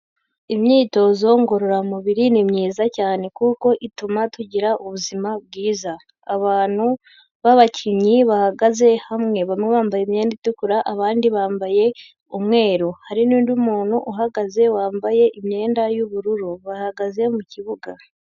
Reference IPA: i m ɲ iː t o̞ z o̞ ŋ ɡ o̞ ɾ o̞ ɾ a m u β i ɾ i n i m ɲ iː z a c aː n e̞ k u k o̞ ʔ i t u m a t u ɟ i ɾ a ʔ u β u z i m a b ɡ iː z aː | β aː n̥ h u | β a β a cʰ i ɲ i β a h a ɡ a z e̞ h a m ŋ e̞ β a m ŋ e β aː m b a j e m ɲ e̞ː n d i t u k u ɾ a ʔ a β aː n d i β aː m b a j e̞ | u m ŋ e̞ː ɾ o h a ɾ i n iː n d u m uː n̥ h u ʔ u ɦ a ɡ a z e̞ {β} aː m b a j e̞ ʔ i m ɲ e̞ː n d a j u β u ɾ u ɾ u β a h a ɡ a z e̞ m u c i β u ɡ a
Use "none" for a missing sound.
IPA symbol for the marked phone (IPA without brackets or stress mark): w